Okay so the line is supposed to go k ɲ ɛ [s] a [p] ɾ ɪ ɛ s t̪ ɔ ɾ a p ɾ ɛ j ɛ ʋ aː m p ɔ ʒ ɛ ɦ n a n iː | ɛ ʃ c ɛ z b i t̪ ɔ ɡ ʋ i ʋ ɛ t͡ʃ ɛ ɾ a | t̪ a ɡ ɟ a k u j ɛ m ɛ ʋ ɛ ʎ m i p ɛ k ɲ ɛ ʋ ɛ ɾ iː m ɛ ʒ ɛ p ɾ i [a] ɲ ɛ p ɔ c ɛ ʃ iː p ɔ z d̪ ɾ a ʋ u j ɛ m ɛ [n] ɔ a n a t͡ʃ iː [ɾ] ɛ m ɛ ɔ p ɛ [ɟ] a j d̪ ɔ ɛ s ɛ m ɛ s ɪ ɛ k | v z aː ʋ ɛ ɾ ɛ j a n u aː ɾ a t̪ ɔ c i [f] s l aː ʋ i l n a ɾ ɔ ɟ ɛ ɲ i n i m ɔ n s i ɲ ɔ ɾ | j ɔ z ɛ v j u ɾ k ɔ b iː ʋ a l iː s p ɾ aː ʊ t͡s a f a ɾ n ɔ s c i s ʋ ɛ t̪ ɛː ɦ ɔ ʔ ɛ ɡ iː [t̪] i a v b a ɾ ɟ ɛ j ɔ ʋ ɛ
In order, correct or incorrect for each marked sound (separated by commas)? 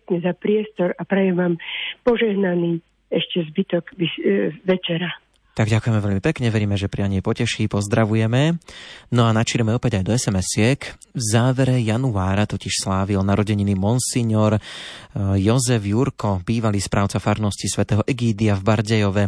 incorrect, correct, correct, correct, correct, correct, incorrect, incorrect